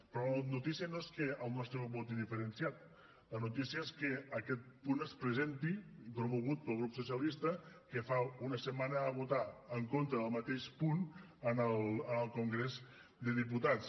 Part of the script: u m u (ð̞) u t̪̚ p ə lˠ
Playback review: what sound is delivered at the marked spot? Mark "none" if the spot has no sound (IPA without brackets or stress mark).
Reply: ɣ̞